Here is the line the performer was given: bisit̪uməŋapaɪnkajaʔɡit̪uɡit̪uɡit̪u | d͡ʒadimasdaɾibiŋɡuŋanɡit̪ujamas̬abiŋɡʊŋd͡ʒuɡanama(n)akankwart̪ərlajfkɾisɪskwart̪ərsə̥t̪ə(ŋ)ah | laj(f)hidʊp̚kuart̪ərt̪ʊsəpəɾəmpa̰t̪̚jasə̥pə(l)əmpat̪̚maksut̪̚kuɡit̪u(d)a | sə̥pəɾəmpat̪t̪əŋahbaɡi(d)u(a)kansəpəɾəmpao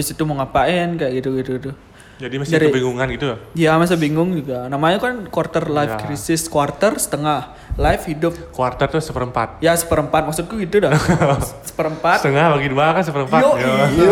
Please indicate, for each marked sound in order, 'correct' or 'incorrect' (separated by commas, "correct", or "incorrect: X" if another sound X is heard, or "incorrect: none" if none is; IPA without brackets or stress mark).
incorrect: ɲ, correct, correct, incorrect: ɾ, correct, correct, correct